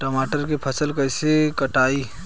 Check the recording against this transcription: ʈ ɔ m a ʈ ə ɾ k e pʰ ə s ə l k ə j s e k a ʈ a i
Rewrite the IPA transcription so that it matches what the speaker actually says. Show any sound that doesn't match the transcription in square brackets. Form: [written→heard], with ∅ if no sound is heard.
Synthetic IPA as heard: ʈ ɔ m a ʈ ə ɾ k e pʰ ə s ə l k ə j s e k [a→ə] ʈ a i